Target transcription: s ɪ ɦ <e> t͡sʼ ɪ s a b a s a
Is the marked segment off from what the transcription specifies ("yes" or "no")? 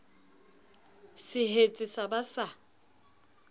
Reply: no